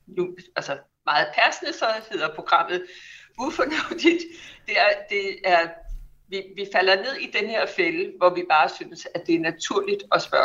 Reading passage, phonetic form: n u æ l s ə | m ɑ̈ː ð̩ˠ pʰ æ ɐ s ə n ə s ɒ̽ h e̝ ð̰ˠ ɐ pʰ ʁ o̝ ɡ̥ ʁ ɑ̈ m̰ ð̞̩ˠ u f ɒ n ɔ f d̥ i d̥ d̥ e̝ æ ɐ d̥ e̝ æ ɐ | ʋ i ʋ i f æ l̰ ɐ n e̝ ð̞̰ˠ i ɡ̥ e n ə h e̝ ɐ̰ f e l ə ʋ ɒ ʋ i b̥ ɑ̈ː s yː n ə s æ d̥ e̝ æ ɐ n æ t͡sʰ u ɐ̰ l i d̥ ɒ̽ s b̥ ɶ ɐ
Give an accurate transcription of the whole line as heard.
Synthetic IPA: n u æ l s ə | m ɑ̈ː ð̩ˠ pʰ æ ɐ s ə n ə s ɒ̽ h e̝ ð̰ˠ ɐ pʰ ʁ o̝ ɡ̥ ʁ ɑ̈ m̰ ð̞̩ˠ u f ɒ n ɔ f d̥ i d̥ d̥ e̝ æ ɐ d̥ e̝ æ ɐ | ʋ i ʋ i f æ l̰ ɐ n e̝ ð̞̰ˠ i d̥ e n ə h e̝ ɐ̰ f e l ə ʋ ɒ ʋ i b̥ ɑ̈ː s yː n ə s æ d̥ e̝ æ ɐ n æ t͡sʰ u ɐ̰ l i d̥ ɒ̽ s b̥ ɶ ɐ